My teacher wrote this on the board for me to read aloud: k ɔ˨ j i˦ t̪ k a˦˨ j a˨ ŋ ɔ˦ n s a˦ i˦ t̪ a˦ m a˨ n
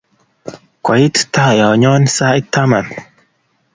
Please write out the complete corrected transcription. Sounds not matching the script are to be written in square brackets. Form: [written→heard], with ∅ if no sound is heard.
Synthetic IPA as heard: k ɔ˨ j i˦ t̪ [k→t] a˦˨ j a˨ [ŋ→ɲ] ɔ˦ n s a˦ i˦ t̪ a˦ m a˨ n